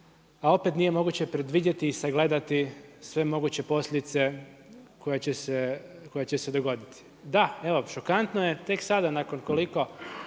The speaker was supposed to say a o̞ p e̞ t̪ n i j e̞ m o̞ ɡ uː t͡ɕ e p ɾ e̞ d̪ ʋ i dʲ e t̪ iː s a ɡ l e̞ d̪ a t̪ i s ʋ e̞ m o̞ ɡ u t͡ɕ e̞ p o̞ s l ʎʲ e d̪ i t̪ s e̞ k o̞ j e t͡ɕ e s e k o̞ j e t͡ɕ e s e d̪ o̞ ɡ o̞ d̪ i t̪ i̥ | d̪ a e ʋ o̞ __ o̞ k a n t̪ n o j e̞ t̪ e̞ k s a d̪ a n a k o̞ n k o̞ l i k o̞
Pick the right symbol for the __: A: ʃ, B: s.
A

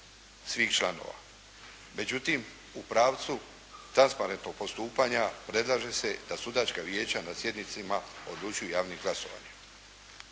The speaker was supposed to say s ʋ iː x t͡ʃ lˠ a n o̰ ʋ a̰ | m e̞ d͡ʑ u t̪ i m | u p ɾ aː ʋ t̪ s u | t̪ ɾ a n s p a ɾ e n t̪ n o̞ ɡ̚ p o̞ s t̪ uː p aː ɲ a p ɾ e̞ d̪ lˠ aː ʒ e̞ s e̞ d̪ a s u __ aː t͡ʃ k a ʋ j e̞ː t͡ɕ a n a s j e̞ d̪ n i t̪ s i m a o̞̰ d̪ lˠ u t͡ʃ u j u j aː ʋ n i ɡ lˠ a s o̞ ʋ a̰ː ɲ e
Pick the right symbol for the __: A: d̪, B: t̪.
A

